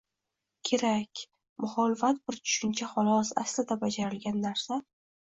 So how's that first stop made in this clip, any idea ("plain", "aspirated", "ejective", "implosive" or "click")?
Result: aspirated